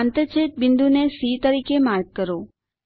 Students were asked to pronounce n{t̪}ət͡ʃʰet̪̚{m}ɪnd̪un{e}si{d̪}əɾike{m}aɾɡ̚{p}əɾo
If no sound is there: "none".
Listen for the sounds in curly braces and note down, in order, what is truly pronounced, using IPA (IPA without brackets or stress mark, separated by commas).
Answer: t̪, b, e, t̪, m, k